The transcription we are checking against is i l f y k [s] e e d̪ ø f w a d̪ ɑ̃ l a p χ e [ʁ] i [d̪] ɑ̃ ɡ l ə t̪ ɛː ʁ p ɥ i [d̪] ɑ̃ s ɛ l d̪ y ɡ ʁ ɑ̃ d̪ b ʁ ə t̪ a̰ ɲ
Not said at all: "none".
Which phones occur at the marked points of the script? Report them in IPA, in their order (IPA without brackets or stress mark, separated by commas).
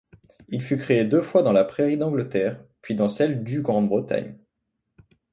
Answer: χ, ʁ, d̪, d̪